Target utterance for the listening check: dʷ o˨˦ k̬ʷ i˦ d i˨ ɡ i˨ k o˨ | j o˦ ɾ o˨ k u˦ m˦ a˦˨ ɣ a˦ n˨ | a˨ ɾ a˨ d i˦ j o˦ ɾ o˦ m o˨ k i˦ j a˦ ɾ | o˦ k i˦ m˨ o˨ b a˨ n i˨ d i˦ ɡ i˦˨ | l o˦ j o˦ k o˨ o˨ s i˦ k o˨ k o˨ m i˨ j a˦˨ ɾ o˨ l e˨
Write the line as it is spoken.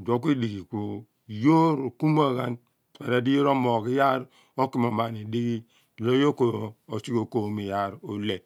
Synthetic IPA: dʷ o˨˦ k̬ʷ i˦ d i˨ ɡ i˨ k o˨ | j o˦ ɾ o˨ k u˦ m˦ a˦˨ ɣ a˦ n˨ | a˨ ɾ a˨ d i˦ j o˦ ɾ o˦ m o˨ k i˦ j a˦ ɾ | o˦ k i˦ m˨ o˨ m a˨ n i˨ d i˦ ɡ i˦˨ | l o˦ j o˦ k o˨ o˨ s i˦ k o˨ k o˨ m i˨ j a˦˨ ɾ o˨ l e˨

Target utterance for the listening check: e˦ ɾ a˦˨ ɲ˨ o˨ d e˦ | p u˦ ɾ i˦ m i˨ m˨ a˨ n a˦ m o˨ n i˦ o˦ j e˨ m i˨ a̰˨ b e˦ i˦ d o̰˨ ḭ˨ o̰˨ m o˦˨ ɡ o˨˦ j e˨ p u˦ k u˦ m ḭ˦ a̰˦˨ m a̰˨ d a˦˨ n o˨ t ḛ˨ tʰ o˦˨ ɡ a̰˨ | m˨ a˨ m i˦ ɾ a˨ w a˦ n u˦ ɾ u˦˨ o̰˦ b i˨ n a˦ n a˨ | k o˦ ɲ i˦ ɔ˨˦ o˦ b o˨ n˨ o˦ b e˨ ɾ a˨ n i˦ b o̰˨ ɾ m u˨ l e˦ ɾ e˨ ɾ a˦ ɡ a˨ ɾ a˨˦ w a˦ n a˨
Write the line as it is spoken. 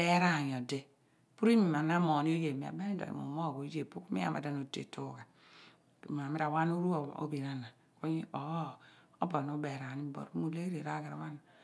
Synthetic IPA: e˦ ɾ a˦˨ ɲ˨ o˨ d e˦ | p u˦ ɾ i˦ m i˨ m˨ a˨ n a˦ m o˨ n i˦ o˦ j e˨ m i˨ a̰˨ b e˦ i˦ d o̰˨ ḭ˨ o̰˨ m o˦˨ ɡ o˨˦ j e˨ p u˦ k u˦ m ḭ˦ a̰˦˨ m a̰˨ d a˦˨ n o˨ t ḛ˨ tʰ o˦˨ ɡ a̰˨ | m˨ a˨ m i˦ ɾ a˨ w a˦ n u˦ ɾ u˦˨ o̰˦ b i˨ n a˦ n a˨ | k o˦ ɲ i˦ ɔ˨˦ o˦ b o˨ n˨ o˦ b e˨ ɾ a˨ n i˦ b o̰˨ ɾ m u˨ l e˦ ɾ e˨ ɾ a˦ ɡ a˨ ɾ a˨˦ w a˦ n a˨

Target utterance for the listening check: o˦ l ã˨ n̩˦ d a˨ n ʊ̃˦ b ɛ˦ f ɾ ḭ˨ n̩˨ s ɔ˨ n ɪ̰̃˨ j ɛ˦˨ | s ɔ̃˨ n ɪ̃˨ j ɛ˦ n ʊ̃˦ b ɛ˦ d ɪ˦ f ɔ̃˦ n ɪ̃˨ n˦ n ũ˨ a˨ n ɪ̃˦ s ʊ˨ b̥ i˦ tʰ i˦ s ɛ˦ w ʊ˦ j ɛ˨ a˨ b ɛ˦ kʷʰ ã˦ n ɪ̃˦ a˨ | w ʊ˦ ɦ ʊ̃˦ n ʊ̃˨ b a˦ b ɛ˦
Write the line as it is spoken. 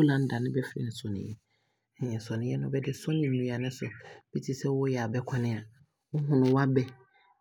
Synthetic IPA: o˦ l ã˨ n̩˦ d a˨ n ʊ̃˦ b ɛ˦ f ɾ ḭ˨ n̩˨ s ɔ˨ n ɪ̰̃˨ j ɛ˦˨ | s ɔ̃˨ n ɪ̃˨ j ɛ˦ n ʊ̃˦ b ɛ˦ d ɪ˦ s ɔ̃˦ n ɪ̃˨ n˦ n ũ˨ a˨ n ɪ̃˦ s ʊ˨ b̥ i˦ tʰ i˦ s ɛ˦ w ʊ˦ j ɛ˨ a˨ b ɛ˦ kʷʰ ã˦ n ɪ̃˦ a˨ | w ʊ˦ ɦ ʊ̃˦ n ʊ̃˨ w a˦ b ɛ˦

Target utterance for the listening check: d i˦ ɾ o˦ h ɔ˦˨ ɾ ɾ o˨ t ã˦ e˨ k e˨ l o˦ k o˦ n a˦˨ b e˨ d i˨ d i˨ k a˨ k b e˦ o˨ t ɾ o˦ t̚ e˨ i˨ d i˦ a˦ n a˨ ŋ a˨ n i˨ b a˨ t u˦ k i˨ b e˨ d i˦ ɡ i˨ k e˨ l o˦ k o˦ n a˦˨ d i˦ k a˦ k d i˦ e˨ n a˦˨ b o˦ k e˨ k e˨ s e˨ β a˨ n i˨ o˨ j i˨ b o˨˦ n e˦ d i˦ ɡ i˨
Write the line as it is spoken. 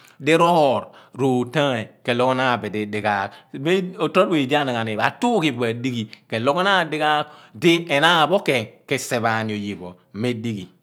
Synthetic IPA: d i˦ ɾ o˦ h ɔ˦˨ ɾ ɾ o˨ t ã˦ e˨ k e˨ l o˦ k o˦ n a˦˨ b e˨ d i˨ d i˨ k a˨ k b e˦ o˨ t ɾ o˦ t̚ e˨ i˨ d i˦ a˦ n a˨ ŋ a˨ n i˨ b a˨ t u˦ k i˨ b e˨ d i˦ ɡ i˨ k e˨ l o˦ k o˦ n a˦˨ d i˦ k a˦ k d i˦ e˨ n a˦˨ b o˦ k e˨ k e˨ s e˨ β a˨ n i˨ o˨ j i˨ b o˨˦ m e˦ d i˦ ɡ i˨

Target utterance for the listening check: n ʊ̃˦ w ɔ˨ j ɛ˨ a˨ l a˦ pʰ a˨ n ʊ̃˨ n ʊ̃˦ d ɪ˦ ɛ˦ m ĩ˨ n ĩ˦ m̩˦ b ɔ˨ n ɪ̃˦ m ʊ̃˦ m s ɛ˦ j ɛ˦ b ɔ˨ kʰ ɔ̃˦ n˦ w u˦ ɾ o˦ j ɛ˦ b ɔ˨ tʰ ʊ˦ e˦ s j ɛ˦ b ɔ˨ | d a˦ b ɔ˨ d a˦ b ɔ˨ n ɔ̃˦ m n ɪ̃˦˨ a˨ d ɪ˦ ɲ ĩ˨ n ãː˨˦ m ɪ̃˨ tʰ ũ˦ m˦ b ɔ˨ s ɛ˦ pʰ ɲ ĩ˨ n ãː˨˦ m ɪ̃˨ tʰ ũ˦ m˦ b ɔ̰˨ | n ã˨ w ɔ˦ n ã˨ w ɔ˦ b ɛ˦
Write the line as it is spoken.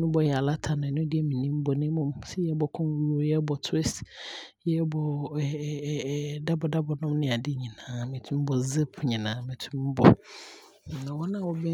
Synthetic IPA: n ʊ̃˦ b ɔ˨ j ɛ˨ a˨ l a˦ tʰ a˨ n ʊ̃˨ n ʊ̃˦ d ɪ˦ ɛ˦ m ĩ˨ n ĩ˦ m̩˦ b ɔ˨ n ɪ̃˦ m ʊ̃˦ m s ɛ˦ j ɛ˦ b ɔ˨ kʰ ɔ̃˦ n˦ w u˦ ɾ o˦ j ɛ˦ b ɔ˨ tʰ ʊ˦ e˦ s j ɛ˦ b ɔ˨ | d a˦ b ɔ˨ d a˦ b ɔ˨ n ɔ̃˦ m n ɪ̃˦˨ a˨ d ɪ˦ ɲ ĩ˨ n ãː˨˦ m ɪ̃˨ tʰ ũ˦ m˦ b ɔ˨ z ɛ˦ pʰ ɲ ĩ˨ n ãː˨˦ m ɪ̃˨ tʰ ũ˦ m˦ b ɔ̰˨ | n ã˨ w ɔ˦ n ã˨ w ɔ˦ b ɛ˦

